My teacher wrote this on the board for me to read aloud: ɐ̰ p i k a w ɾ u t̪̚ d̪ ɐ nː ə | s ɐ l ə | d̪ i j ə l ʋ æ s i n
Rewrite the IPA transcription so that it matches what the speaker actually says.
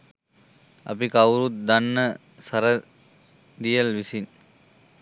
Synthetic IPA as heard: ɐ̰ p i k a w ɾ u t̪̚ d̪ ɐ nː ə | s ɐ ɾ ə | d̪ i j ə l ʋ i s i n